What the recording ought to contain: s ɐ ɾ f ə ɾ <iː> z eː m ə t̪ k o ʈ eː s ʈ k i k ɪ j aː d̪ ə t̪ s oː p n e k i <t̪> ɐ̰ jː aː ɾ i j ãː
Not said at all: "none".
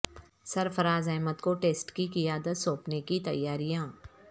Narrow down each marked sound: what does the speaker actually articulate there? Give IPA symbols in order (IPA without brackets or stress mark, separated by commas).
aː, t̪